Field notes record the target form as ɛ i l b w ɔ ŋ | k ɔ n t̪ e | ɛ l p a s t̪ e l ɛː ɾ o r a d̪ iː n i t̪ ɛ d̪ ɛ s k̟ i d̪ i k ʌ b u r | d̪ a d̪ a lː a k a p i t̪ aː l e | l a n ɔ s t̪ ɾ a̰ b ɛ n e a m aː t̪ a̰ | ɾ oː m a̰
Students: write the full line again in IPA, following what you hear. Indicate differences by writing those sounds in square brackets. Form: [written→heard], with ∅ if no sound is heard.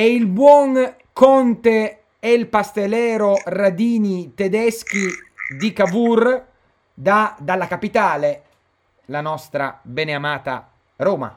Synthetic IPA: ɛ i l b w ɔ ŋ | k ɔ n t̪ e | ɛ l p a s t̪ e l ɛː ɾ o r a d̪ iː n i t̪ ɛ d̪ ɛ s k̟ i d̪ i k [ʌ→a] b u r | d̪ a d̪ a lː a k a p i t̪ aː l e | l a n ɔ s t̪ ɾ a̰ b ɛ n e a m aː t̪ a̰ | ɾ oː m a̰